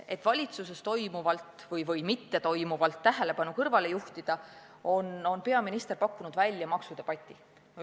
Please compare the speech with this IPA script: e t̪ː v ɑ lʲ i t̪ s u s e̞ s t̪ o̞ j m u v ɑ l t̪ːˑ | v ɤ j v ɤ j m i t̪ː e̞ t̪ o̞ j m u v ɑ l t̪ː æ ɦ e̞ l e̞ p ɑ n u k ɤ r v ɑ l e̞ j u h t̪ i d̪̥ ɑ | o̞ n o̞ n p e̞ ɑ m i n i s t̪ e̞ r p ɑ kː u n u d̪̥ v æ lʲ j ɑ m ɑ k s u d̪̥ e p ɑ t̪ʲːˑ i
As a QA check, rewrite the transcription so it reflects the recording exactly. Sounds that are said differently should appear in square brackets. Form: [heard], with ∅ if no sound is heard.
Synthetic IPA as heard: e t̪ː v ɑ lʲ i t̪ s u s e̞ s t̪ o̞ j m u v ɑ l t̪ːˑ | v ɤ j v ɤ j m i t̪ː e̞ t̪ o̞ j m u v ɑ l t̪ː æ ɦ e̞ l e̞ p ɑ n u k ɤ r v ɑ l e̞ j u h t̪ i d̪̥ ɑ | o̞ n o̞ n p e̞ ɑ m i n i s t̪ e̞ r p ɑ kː u n u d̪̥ v æ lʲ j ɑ m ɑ k s u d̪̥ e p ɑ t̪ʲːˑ i